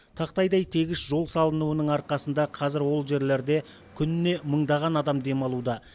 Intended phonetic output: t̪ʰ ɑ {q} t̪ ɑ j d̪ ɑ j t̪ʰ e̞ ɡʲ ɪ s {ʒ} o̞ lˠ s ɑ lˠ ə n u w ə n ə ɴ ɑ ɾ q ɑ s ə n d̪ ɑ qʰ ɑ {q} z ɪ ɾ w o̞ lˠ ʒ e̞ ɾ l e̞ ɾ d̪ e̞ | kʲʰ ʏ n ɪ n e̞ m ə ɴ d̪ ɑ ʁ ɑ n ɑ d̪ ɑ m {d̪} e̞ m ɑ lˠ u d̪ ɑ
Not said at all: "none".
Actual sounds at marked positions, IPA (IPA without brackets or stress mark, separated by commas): q, ʒ, none, d̪